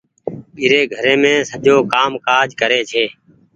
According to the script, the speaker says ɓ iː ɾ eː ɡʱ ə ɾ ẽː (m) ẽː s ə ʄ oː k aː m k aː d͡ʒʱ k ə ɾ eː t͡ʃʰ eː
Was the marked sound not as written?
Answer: no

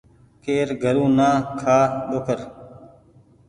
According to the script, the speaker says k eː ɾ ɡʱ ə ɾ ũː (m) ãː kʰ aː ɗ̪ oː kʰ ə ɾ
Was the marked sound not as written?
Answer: yes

